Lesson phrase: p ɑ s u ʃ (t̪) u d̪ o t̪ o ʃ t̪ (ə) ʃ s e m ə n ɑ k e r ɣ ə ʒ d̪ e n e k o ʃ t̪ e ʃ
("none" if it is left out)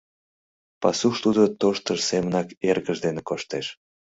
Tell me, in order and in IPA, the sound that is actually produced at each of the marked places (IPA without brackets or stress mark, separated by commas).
t̪, ə